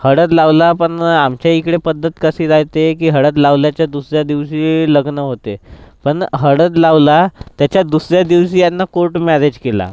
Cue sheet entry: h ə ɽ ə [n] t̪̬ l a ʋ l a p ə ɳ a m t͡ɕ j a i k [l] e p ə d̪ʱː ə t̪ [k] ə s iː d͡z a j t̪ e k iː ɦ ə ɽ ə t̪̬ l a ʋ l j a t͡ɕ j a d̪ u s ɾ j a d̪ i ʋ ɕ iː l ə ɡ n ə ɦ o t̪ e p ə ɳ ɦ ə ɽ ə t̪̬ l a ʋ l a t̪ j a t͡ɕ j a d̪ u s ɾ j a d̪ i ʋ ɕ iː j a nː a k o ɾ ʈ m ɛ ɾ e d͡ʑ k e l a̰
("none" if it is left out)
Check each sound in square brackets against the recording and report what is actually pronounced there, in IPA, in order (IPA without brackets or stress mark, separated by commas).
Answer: none, ɽ, k